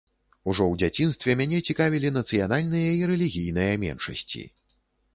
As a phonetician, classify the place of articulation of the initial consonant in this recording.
retroflex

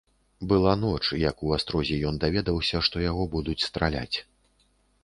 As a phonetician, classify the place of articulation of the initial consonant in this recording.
labial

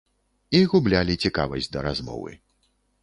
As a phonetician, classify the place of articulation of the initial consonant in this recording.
velar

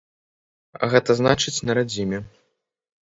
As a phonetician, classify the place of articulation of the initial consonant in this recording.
velar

